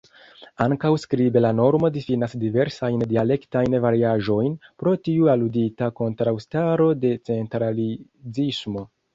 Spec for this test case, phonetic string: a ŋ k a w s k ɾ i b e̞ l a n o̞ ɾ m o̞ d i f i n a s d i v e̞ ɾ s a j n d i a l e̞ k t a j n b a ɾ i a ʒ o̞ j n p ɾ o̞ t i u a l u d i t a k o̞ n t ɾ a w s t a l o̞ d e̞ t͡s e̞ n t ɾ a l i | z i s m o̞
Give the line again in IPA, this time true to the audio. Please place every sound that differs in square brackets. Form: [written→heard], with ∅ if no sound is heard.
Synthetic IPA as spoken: a ŋ k a w s k ɾ i b e̞ l a n o̞ ɾ m o̞ d i f i n a s d i v e̞ ɾ s a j n d i a l e̞ k t a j n [b→v] a ɾ i a ʒ o̞ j n p ɾ o̞ t i u a l u d i t a k o̞ n t ɾ a w s t a [l→ɾ] o̞ d e̞ t͡s e̞ n t ɾ a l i | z i s m o̞